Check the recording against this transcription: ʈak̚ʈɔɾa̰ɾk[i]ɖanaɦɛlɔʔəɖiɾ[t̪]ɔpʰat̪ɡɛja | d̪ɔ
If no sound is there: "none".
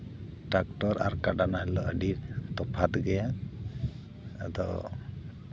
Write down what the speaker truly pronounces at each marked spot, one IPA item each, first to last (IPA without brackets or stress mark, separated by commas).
a, t̪